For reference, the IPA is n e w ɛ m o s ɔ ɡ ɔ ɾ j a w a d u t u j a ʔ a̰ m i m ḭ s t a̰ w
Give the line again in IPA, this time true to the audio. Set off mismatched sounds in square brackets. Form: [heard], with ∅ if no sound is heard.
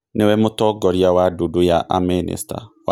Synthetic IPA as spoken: n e w ɛ m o [t] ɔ ɡ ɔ ɾ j a w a d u [d] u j a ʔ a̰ m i [n] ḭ s t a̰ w